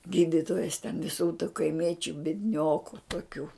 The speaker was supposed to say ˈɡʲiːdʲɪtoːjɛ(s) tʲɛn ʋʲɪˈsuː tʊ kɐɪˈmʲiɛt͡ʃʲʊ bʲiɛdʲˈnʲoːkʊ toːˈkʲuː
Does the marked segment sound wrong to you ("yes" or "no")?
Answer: no